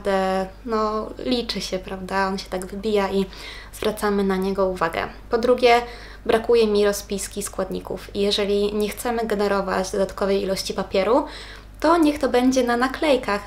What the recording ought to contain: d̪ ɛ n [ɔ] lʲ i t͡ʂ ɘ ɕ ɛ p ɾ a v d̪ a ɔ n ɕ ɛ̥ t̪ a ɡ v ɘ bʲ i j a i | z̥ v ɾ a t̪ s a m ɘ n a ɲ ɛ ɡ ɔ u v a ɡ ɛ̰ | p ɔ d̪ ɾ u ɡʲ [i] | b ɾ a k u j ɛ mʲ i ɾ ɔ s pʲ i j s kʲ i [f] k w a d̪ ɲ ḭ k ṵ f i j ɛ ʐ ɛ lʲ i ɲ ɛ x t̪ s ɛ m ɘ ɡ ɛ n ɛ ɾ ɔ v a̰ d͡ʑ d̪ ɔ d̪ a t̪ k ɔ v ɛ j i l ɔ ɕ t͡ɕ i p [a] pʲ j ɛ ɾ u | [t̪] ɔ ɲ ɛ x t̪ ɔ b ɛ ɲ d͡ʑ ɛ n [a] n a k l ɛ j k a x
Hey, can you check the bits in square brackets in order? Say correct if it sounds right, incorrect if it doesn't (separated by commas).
correct, incorrect, incorrect, correct, correct, correct